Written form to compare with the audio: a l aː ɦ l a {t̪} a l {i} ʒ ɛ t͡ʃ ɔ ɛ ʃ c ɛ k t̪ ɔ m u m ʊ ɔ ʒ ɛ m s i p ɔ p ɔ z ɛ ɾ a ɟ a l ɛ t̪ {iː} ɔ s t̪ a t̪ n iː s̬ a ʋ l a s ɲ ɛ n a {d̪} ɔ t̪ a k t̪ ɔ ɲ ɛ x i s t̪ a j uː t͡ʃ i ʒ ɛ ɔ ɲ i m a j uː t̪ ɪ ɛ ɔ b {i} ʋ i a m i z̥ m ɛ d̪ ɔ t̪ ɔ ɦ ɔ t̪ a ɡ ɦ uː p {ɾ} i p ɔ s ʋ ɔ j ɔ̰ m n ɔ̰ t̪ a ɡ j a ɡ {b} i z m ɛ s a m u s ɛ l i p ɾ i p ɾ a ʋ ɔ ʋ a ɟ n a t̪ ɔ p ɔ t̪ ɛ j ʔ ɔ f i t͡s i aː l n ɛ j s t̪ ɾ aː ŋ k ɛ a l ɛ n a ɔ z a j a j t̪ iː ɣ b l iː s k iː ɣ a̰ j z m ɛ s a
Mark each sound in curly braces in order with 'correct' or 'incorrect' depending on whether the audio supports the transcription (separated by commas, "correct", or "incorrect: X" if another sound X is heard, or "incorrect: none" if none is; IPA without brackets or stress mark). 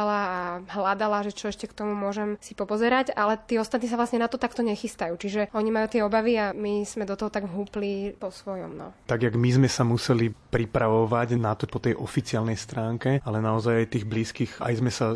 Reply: incorrect: d̪, incorrect: a, correct, incorrect: t̪, incorrect: a, incorrect: l, incorrect: m